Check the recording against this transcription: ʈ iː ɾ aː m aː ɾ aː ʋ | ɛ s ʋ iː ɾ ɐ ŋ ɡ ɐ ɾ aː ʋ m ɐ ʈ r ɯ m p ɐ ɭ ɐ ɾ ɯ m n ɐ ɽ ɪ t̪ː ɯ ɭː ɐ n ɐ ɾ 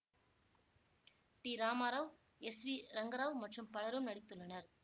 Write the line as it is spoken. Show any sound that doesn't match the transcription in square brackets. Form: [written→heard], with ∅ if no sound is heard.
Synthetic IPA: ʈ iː ɾ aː m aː ɾ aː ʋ | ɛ s ʋ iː ɾ ɐ ŋ ɡ ɐ ɾ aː ʋ m ɐ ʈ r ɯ m p ɐ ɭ ɐ ɾ ɯ m n ɐ ɽ ɪ t̪ː ɯ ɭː ɐ n ɐ ɾ